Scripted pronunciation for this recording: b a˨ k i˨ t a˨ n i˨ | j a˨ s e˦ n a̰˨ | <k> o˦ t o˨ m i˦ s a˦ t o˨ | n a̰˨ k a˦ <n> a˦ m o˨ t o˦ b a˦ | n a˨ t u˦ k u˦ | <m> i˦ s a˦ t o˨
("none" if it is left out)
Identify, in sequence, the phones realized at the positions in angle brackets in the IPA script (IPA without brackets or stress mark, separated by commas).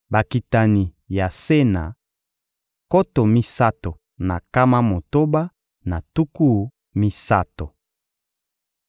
k, m, m